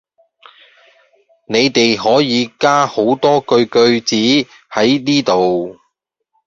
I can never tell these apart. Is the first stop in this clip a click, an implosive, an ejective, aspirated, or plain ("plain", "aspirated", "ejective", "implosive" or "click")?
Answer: plain